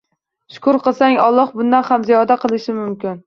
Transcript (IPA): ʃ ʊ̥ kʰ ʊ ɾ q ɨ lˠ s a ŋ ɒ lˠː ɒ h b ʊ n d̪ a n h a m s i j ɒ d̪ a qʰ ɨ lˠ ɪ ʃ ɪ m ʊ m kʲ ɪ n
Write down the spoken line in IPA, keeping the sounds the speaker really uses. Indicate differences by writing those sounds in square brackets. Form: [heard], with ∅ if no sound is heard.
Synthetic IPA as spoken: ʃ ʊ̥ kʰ ʊ ɾ q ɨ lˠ s a ŋ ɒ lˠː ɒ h b ʊ n d̪ a n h a m [z] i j ɒ d̪ a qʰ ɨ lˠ ɪ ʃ ɪ m ʊ m kʲ ɪ n